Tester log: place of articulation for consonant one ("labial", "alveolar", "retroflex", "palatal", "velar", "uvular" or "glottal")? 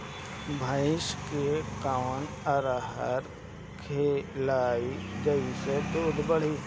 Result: labial